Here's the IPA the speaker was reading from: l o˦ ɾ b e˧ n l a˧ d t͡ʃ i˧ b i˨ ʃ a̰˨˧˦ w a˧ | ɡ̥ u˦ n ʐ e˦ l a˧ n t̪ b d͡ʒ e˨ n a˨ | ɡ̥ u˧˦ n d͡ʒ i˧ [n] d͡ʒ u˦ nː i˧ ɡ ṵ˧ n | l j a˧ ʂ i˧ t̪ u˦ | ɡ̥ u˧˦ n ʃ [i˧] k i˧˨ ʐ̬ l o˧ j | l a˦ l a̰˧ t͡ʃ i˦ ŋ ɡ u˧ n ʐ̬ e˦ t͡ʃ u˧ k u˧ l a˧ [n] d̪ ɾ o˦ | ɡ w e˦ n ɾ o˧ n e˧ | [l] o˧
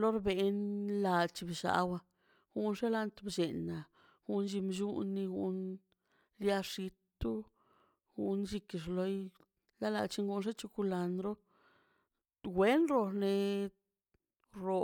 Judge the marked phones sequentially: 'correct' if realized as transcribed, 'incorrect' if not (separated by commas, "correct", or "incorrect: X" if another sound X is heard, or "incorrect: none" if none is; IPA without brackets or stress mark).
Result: incorrect: m, correct, correct, incorrect: ɾ